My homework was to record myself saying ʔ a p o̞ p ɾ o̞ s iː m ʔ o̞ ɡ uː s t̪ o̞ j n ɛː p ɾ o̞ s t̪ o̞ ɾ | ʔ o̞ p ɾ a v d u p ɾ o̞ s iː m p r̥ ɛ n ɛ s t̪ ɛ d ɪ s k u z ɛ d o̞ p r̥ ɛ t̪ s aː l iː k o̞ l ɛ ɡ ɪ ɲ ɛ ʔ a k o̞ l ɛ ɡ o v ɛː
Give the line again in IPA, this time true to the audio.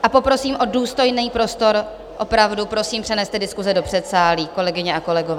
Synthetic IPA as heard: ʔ a p o̞ p ɾ o̞ s iː m ʔ o̞ d uː s t̪ o̞ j n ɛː p ɾ o̞ s t̪ o̞ ɾ | ʔ o̞ p ɾ a v d u p ɾ o̞ s iː m p r̥ ɛ n ɛ s t̪ ɛ d ɪ s k u z ɛ d o̞ p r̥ ɛ t̪ s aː l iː k o̞ l ɛ ɡ ɪ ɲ ɛ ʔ a k o̞ l ɛ ɡ o v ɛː